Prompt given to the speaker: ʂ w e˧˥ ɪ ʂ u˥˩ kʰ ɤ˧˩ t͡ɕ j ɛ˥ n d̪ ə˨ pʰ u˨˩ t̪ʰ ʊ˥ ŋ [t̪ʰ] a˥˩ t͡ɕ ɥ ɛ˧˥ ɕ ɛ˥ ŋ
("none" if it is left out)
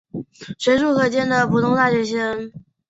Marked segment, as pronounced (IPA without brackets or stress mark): t̪